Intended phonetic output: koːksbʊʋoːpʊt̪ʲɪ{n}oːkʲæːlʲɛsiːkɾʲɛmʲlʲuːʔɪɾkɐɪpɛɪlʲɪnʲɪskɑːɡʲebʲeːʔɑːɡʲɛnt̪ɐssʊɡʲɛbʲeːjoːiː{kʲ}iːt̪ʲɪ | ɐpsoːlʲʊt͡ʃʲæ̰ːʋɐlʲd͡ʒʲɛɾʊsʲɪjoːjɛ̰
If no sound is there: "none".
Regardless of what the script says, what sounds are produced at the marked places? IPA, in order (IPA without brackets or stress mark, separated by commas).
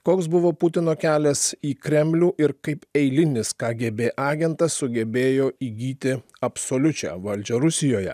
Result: n, ɡʲ